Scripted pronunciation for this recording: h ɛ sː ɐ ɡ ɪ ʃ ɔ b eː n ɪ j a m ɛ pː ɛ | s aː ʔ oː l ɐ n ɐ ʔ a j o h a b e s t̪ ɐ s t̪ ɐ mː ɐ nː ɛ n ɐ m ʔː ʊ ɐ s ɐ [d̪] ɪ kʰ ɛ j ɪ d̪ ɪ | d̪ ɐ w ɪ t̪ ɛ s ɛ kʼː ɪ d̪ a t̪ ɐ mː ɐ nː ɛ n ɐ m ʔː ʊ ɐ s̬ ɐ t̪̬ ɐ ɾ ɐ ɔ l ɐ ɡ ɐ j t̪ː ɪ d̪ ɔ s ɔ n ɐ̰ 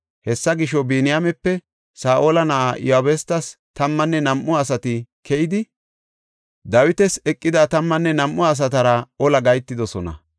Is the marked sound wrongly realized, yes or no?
yes